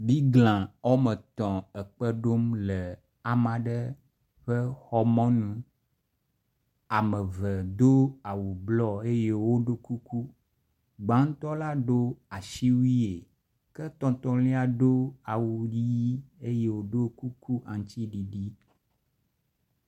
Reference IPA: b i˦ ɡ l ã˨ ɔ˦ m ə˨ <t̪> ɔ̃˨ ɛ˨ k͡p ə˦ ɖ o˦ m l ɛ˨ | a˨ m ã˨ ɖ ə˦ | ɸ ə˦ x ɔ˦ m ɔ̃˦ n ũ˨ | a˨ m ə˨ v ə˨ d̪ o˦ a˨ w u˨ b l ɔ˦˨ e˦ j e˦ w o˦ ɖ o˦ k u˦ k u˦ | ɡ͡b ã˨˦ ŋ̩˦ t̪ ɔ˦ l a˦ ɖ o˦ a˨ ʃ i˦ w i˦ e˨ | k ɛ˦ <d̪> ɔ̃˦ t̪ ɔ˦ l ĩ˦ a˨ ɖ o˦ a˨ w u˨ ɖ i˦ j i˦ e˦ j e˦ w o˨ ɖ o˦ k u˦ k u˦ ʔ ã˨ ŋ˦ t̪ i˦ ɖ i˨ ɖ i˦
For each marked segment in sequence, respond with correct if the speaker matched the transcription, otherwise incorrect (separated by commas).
correct, incorrect